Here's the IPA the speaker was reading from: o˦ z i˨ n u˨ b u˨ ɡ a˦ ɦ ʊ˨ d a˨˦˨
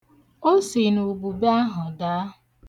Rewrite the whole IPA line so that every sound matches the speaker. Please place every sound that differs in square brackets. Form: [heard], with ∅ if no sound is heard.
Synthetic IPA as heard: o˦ [s] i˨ n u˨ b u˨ [b] a˦ ɦ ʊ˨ d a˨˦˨

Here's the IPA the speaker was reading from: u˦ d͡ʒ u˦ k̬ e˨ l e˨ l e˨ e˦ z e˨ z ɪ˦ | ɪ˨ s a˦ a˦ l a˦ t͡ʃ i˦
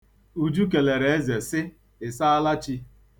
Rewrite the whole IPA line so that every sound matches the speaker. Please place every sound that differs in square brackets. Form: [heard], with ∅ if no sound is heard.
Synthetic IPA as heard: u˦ d͡ʒ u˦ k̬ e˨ l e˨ [ɾ] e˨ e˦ z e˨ [s] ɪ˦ | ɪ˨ s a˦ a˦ l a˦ t͡ʃ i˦

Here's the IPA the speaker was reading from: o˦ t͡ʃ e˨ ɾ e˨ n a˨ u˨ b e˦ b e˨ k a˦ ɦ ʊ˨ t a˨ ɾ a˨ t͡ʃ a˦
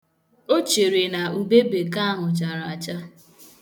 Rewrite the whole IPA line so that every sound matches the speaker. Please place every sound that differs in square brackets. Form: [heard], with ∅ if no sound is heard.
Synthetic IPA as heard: o˦ t͡ʃ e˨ ɾ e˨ n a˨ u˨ b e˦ b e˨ k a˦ ɦ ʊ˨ [t͡ʃ] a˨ ɾ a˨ t͡ʃ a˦

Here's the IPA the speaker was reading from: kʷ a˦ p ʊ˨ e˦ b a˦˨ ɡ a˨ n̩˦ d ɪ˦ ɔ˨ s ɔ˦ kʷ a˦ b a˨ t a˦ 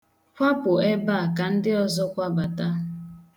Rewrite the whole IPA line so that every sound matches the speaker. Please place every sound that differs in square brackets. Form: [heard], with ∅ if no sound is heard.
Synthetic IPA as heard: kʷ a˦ p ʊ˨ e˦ b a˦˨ [k] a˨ n̩˦ d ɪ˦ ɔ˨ [z] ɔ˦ kʷ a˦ b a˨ t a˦

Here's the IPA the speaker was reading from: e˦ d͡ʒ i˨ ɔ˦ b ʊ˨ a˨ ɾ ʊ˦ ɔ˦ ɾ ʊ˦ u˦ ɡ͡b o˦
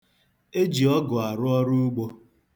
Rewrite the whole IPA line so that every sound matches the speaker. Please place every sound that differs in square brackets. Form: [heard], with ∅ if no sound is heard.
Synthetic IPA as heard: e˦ d͡ʒ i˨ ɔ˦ [ɡ] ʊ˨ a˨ ɾ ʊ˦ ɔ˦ ɾ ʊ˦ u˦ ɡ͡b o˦

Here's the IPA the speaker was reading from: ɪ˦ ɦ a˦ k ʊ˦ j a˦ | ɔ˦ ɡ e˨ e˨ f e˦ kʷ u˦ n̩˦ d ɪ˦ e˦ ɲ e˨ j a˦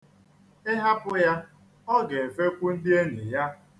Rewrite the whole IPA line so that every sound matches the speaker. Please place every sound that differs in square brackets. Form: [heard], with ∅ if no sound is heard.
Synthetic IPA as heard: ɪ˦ ɦ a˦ [p] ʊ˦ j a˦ | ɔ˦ ɡ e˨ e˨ f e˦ kʷ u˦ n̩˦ d ɪ˦ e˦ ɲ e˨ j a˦

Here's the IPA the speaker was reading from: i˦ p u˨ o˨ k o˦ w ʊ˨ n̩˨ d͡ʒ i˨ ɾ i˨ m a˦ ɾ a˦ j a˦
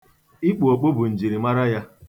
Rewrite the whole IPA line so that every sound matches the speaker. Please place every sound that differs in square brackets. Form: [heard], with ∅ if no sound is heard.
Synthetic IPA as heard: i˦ [k͡p] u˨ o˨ [k͡p] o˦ [b] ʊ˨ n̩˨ d͡ʒ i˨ ɾ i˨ m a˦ ɾ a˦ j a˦

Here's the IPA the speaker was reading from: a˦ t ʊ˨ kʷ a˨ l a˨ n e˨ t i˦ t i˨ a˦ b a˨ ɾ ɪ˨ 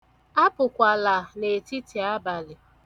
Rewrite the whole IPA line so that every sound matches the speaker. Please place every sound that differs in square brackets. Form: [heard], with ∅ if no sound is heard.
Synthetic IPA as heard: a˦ [p] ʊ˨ kʷ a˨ l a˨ n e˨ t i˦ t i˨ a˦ b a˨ [l] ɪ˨

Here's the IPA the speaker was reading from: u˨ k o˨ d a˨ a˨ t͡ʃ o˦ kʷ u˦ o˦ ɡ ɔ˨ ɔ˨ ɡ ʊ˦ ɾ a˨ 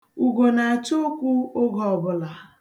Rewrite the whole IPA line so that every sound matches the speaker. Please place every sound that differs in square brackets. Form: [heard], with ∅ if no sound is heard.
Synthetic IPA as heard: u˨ [ɡ] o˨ [n] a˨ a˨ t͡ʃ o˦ kʷ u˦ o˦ ɡ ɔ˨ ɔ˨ [b] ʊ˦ [l] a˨

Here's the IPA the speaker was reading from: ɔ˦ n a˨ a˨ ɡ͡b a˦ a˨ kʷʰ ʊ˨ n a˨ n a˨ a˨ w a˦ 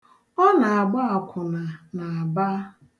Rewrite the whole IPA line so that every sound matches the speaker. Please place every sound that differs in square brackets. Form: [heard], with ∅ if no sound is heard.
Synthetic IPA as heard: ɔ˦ n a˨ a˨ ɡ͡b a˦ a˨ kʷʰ ʊ˨ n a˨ n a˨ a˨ [b] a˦

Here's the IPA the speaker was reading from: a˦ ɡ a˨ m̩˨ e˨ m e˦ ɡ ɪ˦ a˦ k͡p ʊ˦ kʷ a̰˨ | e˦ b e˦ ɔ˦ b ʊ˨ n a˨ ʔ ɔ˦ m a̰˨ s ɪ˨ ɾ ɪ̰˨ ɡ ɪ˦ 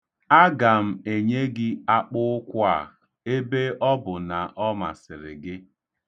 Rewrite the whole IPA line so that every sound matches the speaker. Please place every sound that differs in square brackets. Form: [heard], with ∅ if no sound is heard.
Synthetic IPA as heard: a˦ ɡ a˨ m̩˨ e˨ [ɲ] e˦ ɡ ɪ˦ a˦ k͡p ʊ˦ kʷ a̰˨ | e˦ b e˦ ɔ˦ b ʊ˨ n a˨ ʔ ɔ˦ m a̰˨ s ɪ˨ ɾ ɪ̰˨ ɡ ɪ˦

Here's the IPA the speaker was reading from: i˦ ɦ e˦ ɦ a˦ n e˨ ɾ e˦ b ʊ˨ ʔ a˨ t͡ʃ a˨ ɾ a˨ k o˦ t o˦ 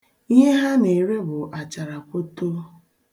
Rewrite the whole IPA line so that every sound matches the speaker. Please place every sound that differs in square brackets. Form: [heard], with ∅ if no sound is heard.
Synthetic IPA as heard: i˦ ɦ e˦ ɦ a˦ n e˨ ɾ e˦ b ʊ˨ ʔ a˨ t͡ʃ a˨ ɾ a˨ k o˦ t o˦

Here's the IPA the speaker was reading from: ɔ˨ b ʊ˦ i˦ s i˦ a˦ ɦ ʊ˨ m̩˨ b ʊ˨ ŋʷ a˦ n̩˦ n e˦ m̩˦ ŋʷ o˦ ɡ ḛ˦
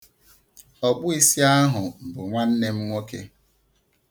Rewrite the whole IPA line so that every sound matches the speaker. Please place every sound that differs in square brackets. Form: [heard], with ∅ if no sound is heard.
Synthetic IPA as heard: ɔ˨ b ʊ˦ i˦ s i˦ a˦ ɦ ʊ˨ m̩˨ b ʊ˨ ŋʷ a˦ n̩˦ n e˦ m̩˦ ŋʷ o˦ [k] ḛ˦

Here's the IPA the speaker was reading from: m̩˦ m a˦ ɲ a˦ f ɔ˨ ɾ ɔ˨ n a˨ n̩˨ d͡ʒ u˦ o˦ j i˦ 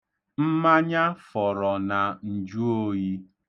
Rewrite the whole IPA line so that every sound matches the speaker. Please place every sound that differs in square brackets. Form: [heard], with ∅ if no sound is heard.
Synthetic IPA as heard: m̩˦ m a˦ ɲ a˦ f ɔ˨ ɾ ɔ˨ n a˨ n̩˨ d͡ʒ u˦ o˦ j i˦

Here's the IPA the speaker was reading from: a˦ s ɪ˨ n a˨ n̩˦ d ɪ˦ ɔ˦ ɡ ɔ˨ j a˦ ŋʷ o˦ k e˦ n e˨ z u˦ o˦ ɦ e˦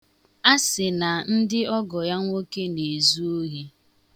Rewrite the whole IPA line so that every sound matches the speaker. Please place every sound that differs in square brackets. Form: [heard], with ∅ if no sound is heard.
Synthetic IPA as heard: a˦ s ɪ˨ n a˨ n̩˦ d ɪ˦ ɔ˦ ɡ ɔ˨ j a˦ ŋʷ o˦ k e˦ n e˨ z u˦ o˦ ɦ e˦

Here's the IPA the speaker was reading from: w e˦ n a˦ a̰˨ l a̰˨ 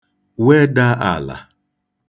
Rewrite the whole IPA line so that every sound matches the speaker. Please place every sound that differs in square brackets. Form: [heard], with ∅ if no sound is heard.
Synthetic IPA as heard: w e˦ [d] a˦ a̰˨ l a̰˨

